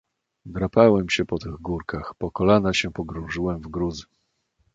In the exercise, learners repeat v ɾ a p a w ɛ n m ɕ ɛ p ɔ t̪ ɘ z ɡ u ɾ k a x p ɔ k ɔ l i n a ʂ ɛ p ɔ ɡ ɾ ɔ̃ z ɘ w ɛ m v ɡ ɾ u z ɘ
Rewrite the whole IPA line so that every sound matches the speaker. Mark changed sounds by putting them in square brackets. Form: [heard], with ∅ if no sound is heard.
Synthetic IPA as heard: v ɾ a p a w ɛ [∅] m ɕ ɛ p ɔ t̪ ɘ [ɣ] ɡ u ɾ k a x p ɔ k ɔ l [a] n a [ɕ] ɛ p ɔ ɡ ɾ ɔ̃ [ʐ] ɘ w ɛ m v ɡ ɾ u z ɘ